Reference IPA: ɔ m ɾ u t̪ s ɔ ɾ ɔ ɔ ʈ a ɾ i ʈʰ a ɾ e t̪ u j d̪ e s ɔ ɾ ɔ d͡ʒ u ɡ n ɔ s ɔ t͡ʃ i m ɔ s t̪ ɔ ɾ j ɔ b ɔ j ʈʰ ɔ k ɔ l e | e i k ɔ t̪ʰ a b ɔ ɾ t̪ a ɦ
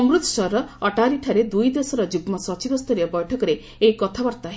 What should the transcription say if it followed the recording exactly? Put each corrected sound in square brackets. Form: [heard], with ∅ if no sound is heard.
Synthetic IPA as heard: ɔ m ɾ u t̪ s ɔ ɾ ɔ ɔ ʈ a ɾ i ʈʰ a ɾ e [d̪] u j d̪ e s ɔ ɾ ɔ d͡ʒ u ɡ [m] ɔ s ɔ t͡ʃ i [b] ɔ s t̪ ɔ ɾ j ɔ b ɔ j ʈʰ ɔ k ɔ [ɾ] e | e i k ɔ t̪ʰ a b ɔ ɾ t̪ a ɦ